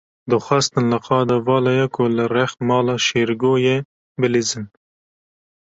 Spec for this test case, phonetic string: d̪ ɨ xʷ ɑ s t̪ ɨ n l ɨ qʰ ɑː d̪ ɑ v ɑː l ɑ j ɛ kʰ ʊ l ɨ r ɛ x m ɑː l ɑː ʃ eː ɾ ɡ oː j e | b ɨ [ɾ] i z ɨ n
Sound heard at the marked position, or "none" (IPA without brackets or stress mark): l